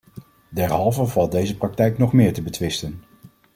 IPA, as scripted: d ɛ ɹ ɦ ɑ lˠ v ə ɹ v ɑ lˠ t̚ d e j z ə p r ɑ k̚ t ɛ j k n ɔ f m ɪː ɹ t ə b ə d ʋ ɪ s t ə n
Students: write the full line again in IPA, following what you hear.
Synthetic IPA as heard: d ɛ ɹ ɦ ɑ lˠ v ə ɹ v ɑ lˠ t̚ d e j z ə p r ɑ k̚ t ɛ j k n ɔ χ m ɪː ɹ t ə b ə t ʋ ɪ s t ə n